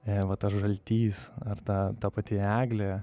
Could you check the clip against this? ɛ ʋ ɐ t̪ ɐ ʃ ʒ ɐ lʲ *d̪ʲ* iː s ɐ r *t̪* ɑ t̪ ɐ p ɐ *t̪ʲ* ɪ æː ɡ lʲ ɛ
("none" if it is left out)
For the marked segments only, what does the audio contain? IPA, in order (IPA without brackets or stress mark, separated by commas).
t̪ʲ, t̪, t̪ʲ